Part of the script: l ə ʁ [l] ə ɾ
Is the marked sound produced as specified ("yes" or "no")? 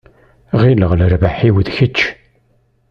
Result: yes